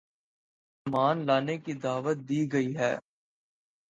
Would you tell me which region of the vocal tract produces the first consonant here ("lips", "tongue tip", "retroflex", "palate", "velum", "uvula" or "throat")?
lips